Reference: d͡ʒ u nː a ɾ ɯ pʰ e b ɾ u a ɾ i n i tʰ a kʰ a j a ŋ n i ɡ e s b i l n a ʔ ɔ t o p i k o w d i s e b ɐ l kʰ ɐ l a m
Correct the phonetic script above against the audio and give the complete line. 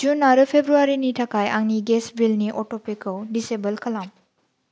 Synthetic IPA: d͡ʒ u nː a ɾ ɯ pʰ e b ɾ u a ɾ i n i tʰ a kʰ a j a ŋ n i ɡ e s b i l n i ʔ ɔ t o p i k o w d i s e b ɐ l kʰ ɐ l a m